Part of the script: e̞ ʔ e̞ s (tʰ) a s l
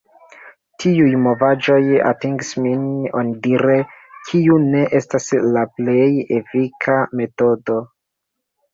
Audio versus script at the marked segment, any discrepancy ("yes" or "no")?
yes